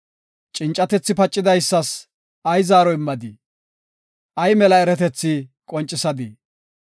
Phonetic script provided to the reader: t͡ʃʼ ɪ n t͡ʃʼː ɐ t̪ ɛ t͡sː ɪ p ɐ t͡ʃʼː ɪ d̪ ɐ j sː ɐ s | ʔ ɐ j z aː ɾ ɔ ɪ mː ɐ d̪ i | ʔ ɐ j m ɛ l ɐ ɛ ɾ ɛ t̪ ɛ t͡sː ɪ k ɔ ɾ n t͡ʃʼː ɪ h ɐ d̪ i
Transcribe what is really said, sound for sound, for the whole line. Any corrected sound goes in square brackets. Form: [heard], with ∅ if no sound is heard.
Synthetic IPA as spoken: t͡ʃʼ ɪ n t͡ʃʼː ɐ t̪ ɛ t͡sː ɪ p ɐ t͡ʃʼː ɪ d̪ ɐ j sː ɐ s | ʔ ɐ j z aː ɾ ɔ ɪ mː ɐ d̪ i | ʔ ɐ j m ɛ l ɐ ɛ ɾ ɛ t̪ ɛ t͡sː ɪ [kʼ] ɔ [∅] n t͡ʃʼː ɪ [s] ɐ d̪ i